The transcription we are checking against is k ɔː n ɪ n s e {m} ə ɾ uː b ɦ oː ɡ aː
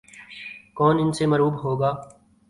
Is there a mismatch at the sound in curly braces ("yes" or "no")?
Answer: no